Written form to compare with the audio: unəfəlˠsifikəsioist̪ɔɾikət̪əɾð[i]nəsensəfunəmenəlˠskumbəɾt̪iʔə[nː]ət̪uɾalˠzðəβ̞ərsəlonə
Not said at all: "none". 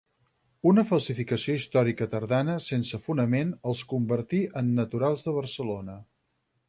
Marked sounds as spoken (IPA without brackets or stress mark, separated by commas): a, nː